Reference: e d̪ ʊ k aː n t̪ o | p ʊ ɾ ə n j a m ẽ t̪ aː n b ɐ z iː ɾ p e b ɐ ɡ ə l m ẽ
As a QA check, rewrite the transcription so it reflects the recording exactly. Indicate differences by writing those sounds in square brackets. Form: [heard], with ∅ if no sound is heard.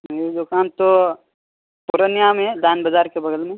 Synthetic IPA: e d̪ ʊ k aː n t̪ o | p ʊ ɾ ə n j a m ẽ [d̪] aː n b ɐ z [aː] ɾ [k] e b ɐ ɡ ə l m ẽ